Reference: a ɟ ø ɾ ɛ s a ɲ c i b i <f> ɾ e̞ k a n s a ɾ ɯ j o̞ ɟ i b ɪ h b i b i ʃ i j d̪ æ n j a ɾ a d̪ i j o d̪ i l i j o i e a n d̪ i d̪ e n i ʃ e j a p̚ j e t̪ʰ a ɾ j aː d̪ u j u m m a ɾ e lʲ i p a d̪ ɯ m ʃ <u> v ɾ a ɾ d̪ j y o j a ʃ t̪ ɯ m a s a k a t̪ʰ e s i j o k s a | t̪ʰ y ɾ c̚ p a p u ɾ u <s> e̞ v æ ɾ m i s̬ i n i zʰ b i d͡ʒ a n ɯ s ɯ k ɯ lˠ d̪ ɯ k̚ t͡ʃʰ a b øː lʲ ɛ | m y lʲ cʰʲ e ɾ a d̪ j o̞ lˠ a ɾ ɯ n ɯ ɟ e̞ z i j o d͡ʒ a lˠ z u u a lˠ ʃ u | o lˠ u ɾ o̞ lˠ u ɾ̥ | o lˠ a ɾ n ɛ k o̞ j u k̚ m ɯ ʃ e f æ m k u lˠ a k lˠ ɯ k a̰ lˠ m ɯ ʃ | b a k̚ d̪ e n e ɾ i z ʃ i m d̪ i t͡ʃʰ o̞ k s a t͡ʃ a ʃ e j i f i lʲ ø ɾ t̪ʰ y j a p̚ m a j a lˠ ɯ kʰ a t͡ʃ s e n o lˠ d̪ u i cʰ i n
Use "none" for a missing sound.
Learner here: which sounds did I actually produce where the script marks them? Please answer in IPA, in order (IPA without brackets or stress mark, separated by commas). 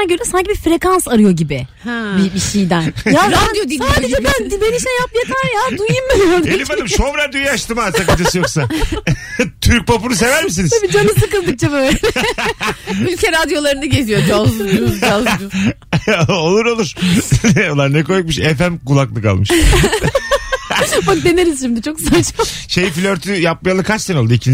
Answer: f, o, s